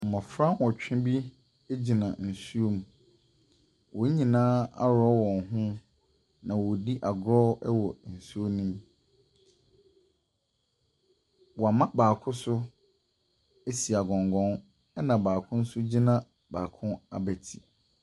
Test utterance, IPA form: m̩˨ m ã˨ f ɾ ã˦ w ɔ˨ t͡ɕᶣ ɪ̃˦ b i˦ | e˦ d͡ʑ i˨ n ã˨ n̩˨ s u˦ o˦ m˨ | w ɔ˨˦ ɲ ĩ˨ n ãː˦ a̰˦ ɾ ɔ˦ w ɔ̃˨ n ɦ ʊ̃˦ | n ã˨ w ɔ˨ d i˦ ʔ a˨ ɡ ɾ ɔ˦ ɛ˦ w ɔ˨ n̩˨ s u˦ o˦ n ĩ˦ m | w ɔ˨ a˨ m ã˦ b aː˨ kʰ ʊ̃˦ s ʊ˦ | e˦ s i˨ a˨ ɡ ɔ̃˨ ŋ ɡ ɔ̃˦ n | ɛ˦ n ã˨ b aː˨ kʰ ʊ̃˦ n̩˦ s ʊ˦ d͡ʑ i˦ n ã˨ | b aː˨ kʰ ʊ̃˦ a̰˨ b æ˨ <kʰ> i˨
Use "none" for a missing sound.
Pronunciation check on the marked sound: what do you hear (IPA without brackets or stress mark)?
tʰ